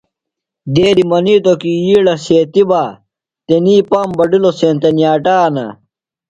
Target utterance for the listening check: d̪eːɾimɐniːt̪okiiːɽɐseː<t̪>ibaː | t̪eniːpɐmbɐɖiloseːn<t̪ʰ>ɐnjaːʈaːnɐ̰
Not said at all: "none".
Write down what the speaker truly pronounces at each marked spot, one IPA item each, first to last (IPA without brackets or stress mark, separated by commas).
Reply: t̪, t̪